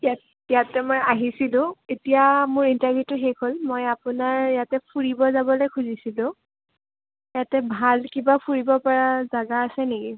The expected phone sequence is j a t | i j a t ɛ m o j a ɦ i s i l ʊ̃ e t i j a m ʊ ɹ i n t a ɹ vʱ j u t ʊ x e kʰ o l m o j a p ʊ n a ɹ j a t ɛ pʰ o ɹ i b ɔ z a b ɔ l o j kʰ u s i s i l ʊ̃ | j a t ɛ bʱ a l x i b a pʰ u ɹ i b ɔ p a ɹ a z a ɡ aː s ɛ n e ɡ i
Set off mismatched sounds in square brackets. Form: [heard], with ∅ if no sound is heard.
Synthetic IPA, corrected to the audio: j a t | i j a t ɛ m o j a ɦ i s i l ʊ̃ e t i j a m ʊ ɹ i n t a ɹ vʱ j u t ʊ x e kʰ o l m o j a p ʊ n a ɹ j a t ɛ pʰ [u] ɹ i b ɔ z a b ɔ l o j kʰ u [z] i s i l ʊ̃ | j a t ɛ bʱ a l [k] i b a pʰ u ɹ i b ɔ p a ɹ a z a ɡ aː s ɛ n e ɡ i